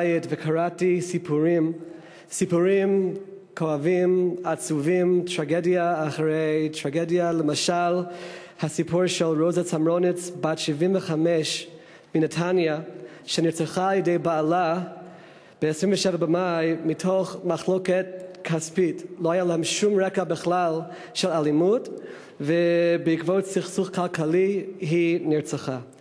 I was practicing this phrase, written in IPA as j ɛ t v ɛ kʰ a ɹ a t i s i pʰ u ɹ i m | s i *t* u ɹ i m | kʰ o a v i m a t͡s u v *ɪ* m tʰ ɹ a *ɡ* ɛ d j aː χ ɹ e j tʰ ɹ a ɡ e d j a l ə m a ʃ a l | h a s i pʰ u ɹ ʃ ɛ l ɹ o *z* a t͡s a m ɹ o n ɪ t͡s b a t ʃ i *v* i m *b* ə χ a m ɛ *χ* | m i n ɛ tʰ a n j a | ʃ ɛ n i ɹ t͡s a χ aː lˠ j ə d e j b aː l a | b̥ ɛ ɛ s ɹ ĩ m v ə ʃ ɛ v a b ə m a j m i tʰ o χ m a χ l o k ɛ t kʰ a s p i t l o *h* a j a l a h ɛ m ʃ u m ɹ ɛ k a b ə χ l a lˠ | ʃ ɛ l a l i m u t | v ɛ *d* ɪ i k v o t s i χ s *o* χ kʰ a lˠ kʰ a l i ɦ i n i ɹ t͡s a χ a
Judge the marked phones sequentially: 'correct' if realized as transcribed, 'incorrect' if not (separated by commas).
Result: incorrect, incorrect, correct, correct, correct, incorrect, incorrect, correct, incorrect, incorrect